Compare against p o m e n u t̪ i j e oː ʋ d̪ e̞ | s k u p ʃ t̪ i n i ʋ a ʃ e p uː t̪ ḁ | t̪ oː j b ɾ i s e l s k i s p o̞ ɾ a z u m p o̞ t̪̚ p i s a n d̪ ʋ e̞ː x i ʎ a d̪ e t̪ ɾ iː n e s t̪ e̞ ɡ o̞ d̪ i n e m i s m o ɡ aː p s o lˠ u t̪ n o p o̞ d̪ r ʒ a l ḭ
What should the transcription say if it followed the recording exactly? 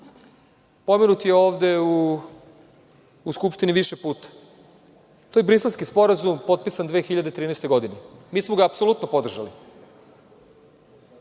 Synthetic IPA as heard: p o m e n u t̪ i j e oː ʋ d̪ e̞ | s k u p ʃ t̪ i n i ʋ i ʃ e p uː t̪ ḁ | t̪ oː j b ɾ i s e l s k i s p o̞ ɾ a z u m p o̞ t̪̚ p i s a n d̪ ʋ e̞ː x i ʎ a d̪ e t̪ ɾ iː n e s t̪ e̞ ɡ o̞ d̪ i n e m iː s m o ɡ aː p s o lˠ u t̪ n o p o̞ d̪ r ʒ a l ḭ